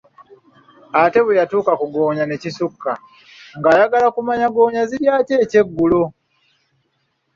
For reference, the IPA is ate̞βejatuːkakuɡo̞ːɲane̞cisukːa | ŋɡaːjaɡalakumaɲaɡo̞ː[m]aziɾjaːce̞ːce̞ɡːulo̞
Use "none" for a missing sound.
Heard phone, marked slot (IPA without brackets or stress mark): ɲ